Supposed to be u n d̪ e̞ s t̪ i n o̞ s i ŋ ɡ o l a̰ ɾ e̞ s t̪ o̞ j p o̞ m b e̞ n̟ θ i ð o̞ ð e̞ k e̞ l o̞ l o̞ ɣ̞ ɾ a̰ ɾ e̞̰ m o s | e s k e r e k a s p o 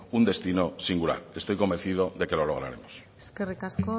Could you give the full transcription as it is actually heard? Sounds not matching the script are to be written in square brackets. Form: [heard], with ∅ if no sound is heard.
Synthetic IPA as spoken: u n d̪ e̞ s t̪ i n o̞ s i ŋ ɡ [u] l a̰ ɾ e̞ s t̪ o̞ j [k] o̞ m b e̞ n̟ θ i ð o̞ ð e̞ k e̞ l o̞ l o̞ ɣ̞ ɾ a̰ ɾ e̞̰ m o s | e s k e r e k a s [k] o